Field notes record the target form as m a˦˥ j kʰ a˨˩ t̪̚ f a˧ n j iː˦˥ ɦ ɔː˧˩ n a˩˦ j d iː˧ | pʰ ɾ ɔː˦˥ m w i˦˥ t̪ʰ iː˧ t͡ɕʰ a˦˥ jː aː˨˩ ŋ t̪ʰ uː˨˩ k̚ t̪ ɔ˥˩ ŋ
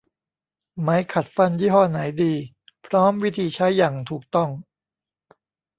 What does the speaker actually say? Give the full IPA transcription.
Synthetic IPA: m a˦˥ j kʰ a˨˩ t̪̚ f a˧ n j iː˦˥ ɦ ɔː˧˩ n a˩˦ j d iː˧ | pʰ ɾ ɔː˦˥ m w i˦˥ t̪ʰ iː˧ t͡ɕʰ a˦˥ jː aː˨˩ ŋ t̪ʰ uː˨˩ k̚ t̪ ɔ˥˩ ŋ